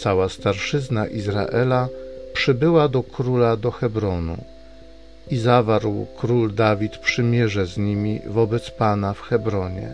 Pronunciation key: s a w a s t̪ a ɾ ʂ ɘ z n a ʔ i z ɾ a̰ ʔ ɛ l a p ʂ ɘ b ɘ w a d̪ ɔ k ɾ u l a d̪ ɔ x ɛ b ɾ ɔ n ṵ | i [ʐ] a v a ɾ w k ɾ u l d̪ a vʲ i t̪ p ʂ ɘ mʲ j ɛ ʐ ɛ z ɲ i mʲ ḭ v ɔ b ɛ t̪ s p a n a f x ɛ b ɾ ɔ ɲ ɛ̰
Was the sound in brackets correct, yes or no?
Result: no